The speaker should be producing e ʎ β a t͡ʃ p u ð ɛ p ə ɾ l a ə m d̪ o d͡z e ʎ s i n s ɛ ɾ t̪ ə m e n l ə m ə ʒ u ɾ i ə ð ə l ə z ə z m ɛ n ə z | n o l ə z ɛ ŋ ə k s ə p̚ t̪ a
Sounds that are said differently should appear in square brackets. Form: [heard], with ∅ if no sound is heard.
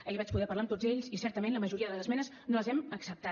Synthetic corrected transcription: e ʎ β a t͡ʃ p u ð ɛ p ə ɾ l a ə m [t̪] o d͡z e ʎ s i [∅] s ɛ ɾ t̪ ə m e n l ə m ə ʒ u ɾ i ə ð ə l ə z ə z m ɛ n ə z | n o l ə z ɛ [m] ə k s ə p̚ t̪ a